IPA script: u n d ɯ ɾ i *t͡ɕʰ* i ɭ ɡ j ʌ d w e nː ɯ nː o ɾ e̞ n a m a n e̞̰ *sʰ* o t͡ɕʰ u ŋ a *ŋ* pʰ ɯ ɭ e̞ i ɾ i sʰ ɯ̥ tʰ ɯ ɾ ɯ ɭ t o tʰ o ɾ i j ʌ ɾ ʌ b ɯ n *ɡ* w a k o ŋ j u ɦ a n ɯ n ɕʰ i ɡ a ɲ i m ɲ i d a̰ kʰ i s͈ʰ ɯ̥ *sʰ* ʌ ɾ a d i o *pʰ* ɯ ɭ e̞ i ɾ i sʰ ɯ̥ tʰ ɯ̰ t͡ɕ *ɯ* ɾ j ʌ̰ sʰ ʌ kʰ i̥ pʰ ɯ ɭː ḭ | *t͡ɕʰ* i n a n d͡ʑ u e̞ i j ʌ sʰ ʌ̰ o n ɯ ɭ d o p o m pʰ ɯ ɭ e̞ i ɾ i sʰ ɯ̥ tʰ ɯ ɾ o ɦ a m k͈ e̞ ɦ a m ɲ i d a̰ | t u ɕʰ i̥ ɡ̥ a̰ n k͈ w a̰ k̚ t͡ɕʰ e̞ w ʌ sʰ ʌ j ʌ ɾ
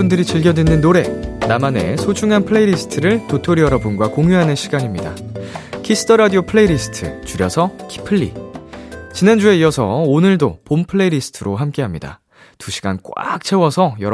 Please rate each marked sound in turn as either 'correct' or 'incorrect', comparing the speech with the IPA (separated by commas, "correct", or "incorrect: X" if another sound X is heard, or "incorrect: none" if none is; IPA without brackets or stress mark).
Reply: incorrect: t͡ɕ, correct, incorrect: n, correct, incorrect: tʰ, correct, incorrect: u, incorrect: t͡ɕ